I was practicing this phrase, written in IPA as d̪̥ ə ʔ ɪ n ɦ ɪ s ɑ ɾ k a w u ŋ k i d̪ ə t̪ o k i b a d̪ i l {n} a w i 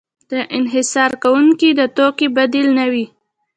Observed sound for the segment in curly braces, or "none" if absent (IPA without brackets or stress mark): n